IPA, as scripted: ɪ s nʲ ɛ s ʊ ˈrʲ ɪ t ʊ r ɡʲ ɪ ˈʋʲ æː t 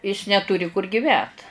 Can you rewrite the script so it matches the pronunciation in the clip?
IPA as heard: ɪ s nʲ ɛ t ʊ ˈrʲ ɪ k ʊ r ɡʲ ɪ ˈʋʲ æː t